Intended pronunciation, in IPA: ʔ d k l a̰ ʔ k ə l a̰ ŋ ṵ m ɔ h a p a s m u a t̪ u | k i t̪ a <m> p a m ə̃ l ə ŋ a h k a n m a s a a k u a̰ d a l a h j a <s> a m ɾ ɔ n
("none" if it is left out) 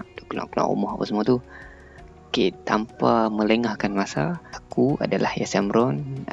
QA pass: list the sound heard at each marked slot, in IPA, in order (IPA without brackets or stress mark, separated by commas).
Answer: m, s